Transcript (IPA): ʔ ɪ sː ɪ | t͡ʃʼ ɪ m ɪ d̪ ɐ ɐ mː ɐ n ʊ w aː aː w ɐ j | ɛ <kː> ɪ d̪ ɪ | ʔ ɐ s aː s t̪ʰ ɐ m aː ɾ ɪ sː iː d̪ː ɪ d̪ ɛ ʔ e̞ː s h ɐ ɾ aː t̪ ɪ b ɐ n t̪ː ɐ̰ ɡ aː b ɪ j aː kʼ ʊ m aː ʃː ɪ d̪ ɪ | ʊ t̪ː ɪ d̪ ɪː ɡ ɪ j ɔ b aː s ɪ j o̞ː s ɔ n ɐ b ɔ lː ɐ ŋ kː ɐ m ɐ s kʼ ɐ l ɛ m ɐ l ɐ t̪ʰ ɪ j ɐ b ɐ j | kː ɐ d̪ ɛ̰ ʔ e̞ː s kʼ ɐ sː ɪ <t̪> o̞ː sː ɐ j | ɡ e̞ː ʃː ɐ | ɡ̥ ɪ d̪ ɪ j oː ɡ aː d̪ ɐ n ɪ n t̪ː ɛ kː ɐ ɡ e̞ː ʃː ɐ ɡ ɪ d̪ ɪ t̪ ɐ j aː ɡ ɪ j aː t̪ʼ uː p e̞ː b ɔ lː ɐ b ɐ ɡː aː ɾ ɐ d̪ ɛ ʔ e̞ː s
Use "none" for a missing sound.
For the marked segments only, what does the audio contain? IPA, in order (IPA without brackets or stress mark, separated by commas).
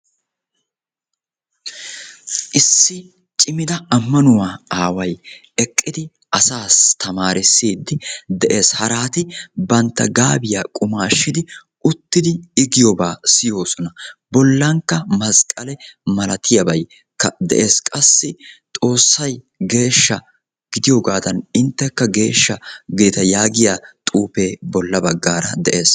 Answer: kʼː, t̪ʼ